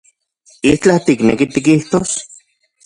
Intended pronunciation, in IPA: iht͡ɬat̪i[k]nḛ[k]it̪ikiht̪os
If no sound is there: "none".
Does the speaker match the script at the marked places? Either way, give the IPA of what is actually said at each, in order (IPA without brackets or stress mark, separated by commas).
k, k